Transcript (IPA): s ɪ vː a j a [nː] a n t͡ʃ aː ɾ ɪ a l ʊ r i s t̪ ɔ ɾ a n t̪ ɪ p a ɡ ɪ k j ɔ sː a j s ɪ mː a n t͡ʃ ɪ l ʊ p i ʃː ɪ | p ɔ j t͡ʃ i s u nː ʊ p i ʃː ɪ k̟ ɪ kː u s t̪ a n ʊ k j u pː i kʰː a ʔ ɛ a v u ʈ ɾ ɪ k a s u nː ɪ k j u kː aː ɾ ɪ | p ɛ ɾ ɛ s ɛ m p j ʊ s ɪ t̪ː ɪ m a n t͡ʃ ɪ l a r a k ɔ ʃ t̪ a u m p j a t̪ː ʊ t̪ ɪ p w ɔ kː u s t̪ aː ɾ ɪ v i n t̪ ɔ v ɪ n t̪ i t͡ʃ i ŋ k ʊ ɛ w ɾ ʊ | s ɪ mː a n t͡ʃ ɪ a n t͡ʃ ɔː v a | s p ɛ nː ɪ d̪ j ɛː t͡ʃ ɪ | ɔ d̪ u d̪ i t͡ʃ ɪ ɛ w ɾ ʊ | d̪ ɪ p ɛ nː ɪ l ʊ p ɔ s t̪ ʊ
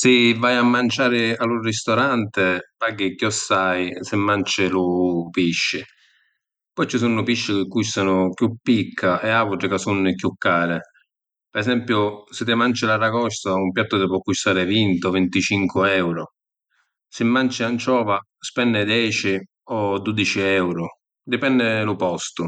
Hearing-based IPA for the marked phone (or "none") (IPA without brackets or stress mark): mː